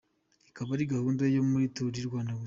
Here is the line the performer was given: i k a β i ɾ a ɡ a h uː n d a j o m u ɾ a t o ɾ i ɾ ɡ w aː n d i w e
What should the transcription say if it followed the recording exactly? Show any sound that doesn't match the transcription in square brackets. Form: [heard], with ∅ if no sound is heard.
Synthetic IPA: i k a β [a] ɾ [i] ɡ a h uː n d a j o m u ɾ [i] t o ɾ i ɾ ɡ w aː n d [a] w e